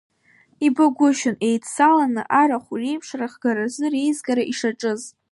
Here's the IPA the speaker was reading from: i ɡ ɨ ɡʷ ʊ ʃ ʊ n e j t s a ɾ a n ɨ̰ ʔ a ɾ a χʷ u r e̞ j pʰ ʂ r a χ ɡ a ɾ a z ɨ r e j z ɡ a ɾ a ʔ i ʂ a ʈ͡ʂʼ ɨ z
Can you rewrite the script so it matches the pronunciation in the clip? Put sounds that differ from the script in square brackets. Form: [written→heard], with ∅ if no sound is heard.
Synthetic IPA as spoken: i [ɡ→b] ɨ ɡʷ ʊ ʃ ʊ n e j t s a [ɾ→l] a n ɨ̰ ʔ a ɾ a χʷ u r e̞ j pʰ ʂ r a χ ɡ a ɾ a z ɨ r e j z ɡ a ɾ a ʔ i ʂ a ʈ͡ʂʼ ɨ z